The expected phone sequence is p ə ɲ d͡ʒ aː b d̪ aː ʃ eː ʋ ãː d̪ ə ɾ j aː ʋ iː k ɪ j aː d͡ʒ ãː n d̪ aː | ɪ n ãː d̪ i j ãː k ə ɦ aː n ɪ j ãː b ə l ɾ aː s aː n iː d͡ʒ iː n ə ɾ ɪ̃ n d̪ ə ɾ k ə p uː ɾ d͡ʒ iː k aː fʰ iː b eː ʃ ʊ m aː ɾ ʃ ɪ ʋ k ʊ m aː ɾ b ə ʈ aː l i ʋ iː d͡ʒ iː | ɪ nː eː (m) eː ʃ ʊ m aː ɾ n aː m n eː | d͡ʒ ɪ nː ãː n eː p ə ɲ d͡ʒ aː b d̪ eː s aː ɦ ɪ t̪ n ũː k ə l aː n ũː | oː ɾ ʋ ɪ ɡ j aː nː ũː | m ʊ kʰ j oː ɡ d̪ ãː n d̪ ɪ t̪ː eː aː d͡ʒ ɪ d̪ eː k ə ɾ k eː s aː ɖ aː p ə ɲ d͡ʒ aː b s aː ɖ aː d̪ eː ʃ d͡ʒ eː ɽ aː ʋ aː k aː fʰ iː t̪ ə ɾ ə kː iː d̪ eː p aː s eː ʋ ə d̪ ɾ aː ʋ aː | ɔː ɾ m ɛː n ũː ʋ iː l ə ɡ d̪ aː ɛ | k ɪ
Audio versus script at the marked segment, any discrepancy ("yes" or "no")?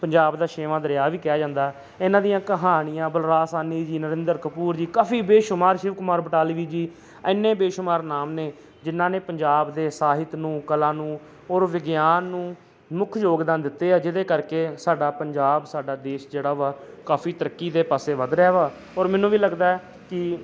yes